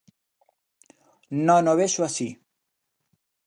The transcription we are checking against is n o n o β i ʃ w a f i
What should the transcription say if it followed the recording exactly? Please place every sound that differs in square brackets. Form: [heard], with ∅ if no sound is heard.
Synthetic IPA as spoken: n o n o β [e] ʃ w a [s] i